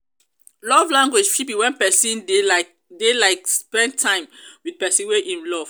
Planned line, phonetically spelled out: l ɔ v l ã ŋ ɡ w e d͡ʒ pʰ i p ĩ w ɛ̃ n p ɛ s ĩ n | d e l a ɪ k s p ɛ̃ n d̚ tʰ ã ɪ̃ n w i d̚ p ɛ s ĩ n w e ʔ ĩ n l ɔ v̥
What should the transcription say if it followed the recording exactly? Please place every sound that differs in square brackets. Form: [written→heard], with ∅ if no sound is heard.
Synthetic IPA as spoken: l ɔ v l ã ŋ ɡ w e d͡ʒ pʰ i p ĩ w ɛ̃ n p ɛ s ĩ n | d e l a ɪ k s p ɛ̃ n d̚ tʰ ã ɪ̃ [n→m] w i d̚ p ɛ s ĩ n w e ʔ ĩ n l ɔ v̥